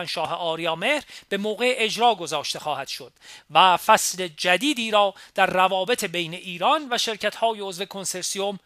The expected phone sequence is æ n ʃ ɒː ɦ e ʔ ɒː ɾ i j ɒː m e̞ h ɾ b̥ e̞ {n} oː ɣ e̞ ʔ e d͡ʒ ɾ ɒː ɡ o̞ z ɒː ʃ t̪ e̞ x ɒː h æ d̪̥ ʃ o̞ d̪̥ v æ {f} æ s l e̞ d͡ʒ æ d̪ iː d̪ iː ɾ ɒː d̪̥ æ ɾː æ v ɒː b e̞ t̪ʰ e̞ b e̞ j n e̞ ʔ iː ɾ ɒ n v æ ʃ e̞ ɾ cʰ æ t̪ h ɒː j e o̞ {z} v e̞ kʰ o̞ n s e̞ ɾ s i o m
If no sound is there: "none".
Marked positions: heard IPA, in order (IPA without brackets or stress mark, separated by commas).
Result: m, f, z